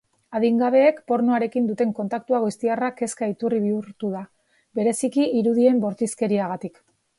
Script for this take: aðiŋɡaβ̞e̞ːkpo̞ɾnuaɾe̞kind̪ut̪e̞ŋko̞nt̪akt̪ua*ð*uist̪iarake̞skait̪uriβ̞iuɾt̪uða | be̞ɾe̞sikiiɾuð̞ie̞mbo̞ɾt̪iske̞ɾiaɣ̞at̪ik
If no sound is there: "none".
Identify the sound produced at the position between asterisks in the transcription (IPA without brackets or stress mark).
ɣ